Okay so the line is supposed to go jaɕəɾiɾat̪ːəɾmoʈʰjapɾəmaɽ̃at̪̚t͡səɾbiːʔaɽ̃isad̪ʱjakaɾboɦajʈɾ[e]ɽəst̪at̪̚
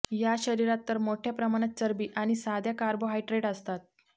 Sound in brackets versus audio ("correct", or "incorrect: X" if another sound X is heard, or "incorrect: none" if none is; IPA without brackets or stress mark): correct